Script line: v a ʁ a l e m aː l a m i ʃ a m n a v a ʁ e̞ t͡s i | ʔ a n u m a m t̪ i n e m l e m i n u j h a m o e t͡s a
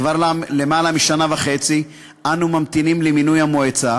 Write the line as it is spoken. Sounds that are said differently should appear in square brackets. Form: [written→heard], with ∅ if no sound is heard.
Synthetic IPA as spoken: v a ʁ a l e m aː l a m i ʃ a [m→∅] n a v a [ʁ→χ] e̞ t͡s i | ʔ a n u m a m t̪ i n [e→i] m l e m i n u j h a m o e t͡s a